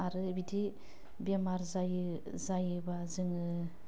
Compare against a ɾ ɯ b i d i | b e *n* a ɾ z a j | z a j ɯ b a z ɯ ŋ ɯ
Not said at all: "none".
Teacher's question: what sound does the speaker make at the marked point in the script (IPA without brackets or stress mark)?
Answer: m